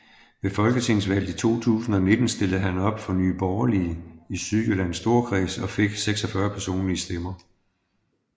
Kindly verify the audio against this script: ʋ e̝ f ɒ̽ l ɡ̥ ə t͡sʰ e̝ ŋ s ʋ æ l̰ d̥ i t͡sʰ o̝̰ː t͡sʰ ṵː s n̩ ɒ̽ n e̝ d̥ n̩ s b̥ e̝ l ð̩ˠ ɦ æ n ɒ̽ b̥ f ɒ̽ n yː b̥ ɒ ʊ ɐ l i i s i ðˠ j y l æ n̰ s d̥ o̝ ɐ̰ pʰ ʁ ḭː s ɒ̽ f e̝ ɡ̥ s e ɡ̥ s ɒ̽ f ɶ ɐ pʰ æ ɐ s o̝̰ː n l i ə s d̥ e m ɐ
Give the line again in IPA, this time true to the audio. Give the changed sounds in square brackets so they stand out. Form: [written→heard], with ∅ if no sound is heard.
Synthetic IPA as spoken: ʋ e̝ f ɒ̽ l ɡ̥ ə t͡sʰ e̝ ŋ s ʋ æ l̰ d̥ i t͡sʰ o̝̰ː t͡sʰ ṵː s n̩ ɒ̽ n e̝ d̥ n̩ s [b̥→d̥] e̝ l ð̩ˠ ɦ æ n ɒ̽ b̥ f ɒ̽ n yː b̥ ɒ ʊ ɐ l i i s [i→y] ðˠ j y l æ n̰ s d̥ o̝ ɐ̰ [pʰ→kʰ] ʁ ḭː s ɒ̽ f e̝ ɡ̥ s e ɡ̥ s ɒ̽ f ɶ ɐ pʰ æ ɐ s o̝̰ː n l i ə s d̥ e m ɐ